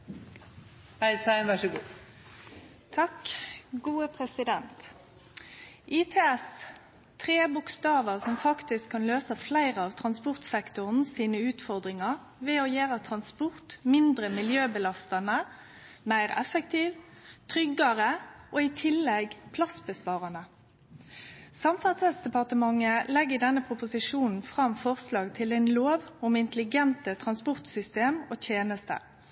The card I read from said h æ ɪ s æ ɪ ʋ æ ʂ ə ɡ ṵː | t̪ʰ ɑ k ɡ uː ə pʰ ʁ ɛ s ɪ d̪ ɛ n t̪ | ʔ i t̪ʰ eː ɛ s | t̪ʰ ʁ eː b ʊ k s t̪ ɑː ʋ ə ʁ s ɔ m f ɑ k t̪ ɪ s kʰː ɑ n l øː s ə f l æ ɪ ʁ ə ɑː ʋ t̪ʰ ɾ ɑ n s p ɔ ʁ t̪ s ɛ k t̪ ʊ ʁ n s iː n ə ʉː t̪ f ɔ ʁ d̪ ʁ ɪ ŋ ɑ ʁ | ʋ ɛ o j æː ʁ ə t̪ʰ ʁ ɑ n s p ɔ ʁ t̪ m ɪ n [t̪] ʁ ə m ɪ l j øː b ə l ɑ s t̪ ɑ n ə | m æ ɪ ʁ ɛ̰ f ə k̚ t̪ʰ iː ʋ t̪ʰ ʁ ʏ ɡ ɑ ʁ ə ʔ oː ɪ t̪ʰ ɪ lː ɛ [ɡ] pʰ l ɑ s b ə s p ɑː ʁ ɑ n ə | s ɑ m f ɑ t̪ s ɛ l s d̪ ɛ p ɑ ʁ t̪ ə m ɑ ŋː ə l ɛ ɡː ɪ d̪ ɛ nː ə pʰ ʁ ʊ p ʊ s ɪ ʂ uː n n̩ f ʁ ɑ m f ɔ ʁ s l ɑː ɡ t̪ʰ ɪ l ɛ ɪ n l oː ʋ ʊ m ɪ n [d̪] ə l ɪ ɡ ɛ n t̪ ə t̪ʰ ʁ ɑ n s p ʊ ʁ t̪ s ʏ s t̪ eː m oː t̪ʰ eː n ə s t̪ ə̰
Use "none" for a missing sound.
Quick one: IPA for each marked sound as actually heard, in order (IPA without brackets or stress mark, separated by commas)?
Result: d̪, ɡ, t̪